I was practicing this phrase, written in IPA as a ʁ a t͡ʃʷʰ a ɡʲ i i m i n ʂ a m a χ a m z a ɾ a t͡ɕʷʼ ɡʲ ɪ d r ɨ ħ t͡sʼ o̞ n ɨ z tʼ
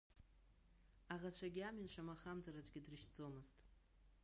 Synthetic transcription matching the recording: a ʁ a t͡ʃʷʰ a ɡʲ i a m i n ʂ a m a χ a m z a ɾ a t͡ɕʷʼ ɡʲ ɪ d r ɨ ʃ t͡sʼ o̞ m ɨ z tʼ